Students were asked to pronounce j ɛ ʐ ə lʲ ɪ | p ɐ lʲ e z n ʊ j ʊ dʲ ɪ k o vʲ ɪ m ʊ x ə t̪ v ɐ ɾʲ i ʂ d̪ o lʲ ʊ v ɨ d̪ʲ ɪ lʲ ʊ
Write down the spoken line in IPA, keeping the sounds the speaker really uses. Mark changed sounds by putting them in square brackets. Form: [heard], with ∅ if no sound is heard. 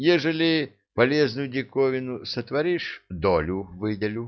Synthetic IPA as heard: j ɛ ʐ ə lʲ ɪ | p ɐ lʲ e z n ʊ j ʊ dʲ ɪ k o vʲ ɪ [n] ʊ [s] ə t̪ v ɐ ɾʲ i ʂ d̪ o lʲ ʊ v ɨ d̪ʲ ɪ lʲ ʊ